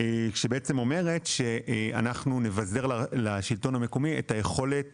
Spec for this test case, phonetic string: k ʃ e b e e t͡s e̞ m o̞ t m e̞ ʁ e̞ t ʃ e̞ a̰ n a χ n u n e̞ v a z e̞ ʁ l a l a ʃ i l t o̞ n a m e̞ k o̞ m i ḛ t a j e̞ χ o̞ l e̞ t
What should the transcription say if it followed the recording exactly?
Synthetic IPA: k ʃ e b e e t͡s e̞ m o̞ m e̞ ʁ e̞ t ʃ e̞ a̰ n a χ n u n e̞ v a z e̞ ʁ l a l a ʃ i l t o̞ n a m e̞ k o̞ m i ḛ t a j e̞ χ o̞ l e̞ t